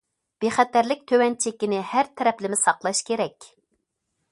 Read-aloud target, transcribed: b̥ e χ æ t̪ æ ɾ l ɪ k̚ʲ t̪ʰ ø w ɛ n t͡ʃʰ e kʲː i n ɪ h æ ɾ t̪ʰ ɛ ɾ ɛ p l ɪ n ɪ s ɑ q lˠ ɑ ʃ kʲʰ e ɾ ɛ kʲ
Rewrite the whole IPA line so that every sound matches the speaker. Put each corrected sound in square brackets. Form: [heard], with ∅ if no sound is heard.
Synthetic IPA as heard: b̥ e χ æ t̪ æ ɾ l ɪ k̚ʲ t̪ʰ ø w ɛ n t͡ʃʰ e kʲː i n ɪ h æ ɾ t̪ʰ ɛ ɾ ɛ p l ɪ [m] ɪ s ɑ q lˠ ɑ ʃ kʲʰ e ɾ ɛ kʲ